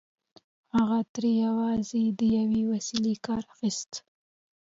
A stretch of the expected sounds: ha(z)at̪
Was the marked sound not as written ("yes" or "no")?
yes